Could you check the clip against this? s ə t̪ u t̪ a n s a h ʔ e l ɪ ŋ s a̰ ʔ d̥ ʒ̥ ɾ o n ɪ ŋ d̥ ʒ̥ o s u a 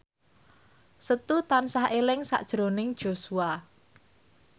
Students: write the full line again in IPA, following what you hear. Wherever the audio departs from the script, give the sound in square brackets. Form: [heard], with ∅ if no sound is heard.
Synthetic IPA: s ə t̪ u t̪ a n s a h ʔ e l ɪ ŋ s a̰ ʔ d̥ ʒ̥ ɾ o n ɪ ŋ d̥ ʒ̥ o s u a